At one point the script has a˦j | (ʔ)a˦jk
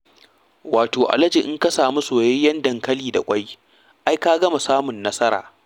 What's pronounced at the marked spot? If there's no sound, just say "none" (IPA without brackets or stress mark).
ʔ